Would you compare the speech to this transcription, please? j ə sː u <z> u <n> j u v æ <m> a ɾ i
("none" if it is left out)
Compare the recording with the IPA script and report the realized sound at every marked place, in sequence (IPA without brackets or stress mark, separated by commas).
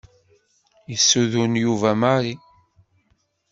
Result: ð, n, m